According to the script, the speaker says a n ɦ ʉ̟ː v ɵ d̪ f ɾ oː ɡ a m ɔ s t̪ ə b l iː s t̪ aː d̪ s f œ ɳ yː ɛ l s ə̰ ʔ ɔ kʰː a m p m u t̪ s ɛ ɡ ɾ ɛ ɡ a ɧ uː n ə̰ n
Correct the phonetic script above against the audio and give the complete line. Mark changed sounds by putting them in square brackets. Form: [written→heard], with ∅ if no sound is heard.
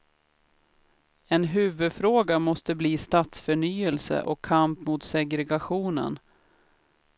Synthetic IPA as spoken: [a→ɛ] n ɦ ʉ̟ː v ɵ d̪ f ɾ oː ɡ a m ɔ s t̪ ə b l iː s t̪ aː [d̪→t̪] s f œ ɳ yː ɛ l s ə̰ ʔ ɔ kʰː a m p m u t̪ s ɛ ɡ ɾ ɛ ɡ a ɧ uː n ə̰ n